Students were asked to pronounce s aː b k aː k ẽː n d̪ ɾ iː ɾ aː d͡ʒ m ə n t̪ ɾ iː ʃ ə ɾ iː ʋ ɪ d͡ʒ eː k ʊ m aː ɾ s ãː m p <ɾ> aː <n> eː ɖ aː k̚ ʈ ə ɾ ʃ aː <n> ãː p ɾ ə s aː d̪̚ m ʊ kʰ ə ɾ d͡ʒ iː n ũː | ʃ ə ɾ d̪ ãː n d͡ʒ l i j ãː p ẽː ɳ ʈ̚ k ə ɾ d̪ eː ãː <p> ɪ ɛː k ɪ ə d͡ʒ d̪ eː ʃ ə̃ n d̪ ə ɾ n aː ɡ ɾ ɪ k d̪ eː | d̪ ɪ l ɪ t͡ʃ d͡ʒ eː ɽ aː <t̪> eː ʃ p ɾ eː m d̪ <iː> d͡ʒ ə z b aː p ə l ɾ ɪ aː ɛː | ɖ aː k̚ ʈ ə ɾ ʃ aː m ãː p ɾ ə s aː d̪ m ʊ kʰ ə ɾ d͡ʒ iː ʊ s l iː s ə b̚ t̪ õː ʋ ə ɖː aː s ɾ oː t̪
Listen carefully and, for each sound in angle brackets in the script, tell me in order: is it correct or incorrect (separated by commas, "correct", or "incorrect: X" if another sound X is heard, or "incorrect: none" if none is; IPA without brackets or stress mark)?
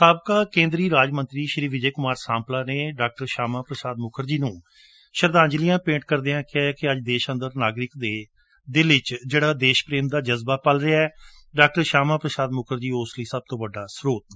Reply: incorrect: l, correct, incorrect: m, incorrect: k, incorrect: d̪, incorrect: aː